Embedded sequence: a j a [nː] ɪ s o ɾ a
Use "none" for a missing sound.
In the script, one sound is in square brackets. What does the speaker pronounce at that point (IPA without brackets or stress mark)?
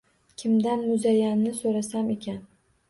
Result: nː